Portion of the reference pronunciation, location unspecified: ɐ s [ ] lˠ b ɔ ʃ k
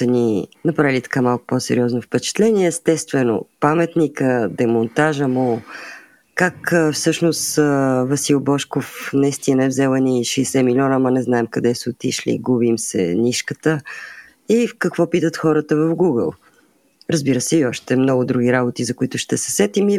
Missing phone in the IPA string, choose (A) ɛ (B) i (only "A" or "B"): B